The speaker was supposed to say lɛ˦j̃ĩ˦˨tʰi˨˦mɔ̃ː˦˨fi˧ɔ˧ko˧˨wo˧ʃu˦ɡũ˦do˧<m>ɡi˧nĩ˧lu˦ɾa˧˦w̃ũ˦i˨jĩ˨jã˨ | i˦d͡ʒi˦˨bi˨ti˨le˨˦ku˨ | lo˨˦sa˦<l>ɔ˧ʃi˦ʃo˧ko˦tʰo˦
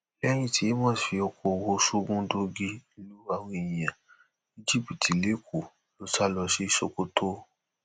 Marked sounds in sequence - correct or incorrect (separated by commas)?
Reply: incorrect, correct